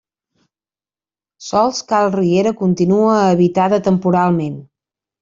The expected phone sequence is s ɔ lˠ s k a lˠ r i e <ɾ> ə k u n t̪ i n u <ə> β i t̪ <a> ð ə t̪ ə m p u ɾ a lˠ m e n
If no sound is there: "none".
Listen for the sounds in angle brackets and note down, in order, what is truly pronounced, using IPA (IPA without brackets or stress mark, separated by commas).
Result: ɾ, əː, a